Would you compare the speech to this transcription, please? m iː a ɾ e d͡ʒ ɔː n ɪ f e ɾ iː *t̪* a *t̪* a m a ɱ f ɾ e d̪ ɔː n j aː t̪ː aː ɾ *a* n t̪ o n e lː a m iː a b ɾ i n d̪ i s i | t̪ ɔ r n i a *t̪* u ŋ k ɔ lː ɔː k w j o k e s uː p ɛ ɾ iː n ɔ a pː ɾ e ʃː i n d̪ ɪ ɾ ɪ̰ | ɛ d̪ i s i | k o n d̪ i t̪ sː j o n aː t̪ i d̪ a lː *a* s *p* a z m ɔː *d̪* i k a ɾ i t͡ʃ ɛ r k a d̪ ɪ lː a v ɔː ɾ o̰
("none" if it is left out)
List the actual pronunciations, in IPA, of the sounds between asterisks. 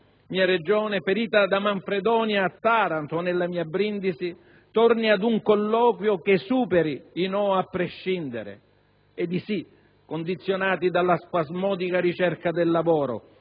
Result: t̪, d̪, a, d̪, a, p, d̪

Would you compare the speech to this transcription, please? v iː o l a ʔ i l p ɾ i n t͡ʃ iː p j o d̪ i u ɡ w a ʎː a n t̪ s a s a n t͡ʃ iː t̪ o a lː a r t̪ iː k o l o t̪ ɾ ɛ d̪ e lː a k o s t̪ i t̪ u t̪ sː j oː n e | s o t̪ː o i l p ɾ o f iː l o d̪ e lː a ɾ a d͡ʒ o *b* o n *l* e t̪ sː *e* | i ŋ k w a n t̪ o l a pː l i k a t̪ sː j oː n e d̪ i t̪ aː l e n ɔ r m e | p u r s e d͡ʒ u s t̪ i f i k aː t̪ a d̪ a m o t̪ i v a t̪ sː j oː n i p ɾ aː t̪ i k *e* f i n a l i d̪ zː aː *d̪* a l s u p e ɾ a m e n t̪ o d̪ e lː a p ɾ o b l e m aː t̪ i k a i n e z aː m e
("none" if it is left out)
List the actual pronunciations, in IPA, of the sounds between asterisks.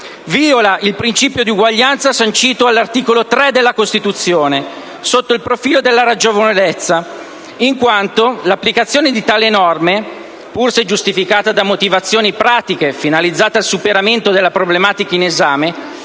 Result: v, l, a, e, t̪

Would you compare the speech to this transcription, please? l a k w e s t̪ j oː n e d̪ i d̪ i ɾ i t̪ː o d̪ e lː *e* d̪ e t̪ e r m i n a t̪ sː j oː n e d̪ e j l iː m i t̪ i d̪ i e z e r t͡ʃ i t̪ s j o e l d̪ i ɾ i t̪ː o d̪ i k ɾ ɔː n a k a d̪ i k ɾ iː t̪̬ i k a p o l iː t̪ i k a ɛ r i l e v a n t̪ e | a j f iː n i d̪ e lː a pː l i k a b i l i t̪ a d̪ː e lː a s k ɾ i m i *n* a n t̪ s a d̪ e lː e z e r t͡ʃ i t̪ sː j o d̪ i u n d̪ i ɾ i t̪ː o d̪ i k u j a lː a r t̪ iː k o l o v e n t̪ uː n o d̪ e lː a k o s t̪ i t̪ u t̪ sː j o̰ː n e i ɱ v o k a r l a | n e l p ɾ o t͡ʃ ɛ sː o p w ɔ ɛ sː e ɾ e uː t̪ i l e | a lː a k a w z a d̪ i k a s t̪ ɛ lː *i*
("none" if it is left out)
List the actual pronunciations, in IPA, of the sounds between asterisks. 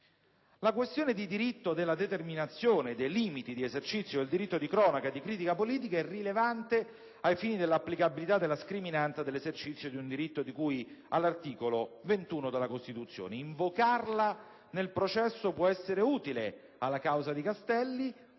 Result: a, n, i

